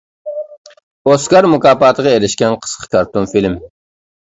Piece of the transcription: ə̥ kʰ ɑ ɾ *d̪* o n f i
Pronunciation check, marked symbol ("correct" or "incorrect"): incorrect